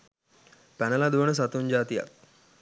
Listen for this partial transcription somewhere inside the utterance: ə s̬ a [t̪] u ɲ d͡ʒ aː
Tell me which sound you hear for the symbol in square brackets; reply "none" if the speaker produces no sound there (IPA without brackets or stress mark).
t̪